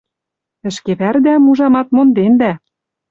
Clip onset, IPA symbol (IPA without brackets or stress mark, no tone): ɘ̆